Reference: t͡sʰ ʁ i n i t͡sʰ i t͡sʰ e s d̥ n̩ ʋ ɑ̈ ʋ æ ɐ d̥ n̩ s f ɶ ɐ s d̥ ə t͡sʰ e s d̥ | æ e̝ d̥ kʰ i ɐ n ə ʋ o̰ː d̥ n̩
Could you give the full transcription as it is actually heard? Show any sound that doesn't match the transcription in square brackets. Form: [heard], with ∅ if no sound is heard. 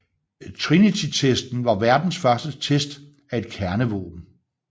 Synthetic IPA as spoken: t͡sʰ ʁ i n i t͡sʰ i t͡sʰ e s d̥ n̩ ʋ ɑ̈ ʋ æ ɐ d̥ n̩ s f ɶ ɐ s d̥ ə t͡sʰ e s d̥ | æ e̝ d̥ kʰ [æ] ɐ n ə ʋ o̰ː [b̥] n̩